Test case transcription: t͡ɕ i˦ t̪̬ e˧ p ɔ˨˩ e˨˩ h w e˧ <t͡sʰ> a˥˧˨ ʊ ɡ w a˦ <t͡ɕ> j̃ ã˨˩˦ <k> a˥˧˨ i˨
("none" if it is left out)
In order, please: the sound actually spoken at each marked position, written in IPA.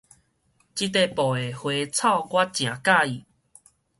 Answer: t͡sʰ, t͡ɕ, k

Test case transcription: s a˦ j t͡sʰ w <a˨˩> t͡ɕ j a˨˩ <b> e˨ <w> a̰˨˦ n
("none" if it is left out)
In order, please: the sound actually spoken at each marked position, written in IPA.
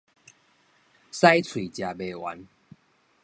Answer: i˨˩, b, w

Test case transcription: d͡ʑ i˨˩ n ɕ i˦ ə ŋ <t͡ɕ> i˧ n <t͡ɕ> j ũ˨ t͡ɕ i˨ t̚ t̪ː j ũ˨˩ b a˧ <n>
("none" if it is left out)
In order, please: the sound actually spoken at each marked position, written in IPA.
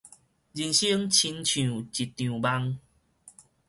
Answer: t͡ɕʰ, t͡ɕʰ, ŋ

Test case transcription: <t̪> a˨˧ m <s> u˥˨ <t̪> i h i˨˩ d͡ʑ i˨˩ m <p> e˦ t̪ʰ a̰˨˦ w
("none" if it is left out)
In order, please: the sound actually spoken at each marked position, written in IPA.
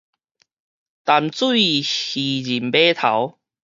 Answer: t̪, t͡s, none, b

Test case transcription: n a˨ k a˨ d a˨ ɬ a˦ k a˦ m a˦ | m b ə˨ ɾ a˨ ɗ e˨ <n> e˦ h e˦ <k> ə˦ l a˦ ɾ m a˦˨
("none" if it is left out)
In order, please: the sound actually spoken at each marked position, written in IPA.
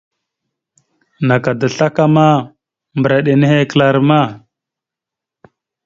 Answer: n, k

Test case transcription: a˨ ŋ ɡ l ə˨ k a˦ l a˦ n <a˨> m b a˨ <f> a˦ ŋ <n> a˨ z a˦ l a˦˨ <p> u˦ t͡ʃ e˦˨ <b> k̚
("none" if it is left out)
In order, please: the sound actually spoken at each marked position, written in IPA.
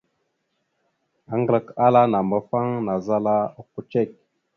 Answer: a˨, f, n, k, none

